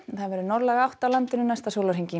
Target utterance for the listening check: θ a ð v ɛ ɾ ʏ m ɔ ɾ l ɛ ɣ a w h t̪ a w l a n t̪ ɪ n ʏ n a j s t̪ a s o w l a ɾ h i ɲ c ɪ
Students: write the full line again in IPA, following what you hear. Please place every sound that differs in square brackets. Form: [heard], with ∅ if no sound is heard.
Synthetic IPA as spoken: θ a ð v ɛ ɾ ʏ [n] ɔ ɾ l ɛ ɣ a w h t̪ a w l a n t̪ ɪ n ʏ n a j s t̪ a s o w l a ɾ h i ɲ c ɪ